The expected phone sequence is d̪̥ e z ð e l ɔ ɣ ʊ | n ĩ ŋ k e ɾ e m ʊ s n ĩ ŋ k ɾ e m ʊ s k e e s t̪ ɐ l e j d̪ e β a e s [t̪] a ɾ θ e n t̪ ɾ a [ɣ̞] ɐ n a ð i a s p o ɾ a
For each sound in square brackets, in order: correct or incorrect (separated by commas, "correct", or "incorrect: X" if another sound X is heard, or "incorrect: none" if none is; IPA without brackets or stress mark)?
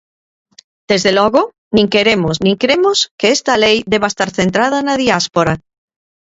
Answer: correct, incorrect: ð̞